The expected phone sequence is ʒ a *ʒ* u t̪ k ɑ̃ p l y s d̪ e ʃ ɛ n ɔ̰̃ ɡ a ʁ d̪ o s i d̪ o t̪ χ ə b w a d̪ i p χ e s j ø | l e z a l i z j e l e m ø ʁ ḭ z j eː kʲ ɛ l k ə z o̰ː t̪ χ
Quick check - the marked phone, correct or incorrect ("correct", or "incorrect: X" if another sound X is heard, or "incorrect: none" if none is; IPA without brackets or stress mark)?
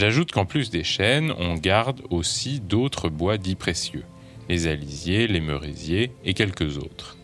correct